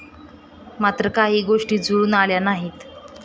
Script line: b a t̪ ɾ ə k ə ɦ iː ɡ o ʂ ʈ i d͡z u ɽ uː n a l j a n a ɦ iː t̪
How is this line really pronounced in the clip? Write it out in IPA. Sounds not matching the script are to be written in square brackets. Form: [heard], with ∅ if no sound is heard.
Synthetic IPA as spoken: [m] a t̪ ɾ ə k [a] ɦ iː ɡ o ʂ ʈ [iː] d͡z u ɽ uː n a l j a n a ɦ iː t̪